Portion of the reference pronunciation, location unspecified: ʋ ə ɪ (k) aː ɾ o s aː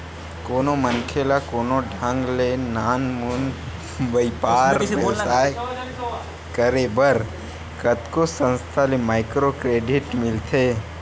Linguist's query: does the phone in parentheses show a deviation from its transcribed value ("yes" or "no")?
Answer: yes